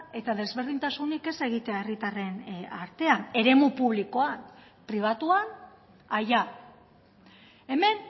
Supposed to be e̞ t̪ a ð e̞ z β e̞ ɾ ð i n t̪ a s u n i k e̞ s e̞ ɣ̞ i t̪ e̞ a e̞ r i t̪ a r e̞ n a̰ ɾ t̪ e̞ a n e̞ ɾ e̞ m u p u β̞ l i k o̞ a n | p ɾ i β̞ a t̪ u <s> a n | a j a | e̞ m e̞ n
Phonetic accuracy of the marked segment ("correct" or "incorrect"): incorrect